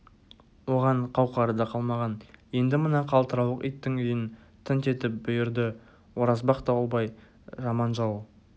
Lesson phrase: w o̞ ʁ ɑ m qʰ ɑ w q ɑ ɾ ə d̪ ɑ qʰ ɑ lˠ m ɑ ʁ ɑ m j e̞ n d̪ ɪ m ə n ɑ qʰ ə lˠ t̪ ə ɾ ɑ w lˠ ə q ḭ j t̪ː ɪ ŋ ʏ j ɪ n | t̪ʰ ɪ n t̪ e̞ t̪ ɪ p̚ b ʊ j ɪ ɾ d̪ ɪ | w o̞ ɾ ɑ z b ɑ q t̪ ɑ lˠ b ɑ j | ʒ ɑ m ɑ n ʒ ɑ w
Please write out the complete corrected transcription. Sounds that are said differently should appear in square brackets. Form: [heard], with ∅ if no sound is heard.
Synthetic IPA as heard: w o̞ ʁ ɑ [ɴ] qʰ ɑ w q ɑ ɾ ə d̪ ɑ qʰ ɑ lˠ m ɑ ʁ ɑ [n] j e̞ n d̪ ɪ m ə n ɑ qʰ [ɑ] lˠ t̪ ə ɾ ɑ w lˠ ə q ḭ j t̪ː ɪ ŋ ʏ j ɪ n | t̪ʰ ɪ n t̪ e̞ t̪ ɪ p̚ b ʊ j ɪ ɾ d̪ ɪ | w o̞ ɾ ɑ z b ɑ q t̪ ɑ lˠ b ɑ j | ʒ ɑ m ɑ n ʒ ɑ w